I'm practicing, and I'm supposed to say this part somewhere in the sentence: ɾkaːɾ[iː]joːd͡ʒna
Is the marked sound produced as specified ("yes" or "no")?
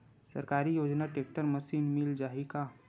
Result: no